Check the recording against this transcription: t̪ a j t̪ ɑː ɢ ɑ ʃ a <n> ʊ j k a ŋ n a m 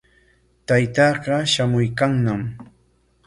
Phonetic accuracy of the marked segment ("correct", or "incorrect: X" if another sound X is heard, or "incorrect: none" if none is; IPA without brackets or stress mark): incorrect: m